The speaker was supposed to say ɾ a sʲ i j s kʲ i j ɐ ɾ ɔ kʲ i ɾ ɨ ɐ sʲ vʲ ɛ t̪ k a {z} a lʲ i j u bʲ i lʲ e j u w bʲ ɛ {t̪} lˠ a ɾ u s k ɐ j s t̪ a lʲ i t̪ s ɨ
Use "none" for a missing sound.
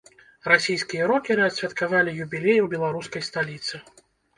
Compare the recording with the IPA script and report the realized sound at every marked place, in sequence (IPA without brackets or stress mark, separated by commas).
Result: v, none